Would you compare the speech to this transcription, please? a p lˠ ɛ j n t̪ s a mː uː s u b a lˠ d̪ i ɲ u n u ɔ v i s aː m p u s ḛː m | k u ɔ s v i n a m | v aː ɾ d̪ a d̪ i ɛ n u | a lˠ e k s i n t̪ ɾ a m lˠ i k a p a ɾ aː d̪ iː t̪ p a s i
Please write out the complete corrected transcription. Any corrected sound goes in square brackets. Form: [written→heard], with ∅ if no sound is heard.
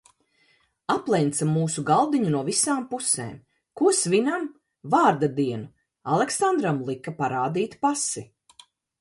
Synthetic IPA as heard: a p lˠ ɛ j n t̪ s a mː uː s u [b→ɡ] a lˠ d̪ i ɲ u n u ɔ v i s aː m p u s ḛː m | k u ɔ s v i n a m | v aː ɾ d̪ a d̪ i ɛ n u | a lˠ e k s [i→a] n [t̪→d̪] ɾ a m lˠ i k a p a ɾ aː d̪ iː t̪ p a s i